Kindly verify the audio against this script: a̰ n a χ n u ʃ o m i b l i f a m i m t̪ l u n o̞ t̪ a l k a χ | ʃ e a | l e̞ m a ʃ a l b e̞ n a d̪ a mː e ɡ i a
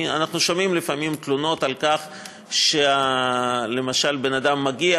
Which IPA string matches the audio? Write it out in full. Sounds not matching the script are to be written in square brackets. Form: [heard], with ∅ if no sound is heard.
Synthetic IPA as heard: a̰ n a χ n u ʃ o m i [m] l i f a m i m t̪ l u n o̞ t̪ a l k a χ | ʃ e a | l e̞ m a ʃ a l b e̞ n a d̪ a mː [a] ɡ i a